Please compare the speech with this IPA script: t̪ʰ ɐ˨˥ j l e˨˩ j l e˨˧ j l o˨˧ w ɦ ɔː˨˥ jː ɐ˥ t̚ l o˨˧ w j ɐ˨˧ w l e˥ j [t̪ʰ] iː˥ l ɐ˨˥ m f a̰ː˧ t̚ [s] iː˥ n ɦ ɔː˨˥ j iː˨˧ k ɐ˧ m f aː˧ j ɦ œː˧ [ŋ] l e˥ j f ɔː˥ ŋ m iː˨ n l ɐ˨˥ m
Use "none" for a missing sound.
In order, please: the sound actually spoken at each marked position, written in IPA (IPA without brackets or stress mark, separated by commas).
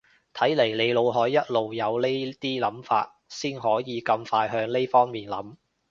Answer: t̪, s, ŋ